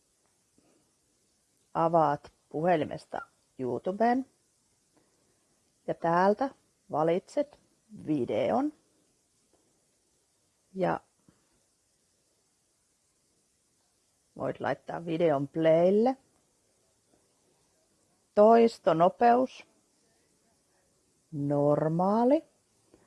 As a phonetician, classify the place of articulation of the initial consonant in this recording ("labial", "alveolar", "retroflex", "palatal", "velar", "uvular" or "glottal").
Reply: labial